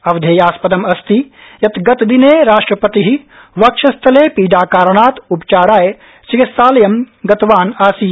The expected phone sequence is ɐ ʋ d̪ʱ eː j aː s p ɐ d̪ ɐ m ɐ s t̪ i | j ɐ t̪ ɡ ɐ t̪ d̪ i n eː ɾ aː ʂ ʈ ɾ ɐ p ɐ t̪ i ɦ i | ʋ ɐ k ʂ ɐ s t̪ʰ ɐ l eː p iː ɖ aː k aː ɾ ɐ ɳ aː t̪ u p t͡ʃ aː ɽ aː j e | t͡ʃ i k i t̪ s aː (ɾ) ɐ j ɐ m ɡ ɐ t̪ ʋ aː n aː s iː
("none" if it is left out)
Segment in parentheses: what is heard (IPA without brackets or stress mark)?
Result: l